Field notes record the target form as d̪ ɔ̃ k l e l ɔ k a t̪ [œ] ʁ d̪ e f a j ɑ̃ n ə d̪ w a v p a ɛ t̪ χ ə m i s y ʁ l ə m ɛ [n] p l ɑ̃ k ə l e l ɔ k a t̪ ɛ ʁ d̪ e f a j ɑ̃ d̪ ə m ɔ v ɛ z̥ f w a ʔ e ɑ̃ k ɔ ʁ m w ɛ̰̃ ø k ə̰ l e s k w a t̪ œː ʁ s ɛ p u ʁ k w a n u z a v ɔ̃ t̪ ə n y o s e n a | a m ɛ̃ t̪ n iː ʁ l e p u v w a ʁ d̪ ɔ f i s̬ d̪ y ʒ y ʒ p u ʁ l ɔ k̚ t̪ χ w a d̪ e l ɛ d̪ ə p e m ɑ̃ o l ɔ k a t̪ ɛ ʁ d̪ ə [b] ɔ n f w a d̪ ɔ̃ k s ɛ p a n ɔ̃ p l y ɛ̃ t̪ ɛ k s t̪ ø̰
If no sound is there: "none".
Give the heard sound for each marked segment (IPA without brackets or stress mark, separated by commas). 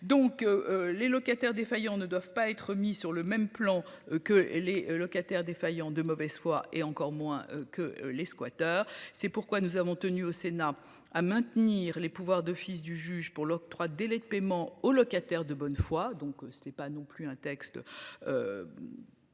ɛ, m, b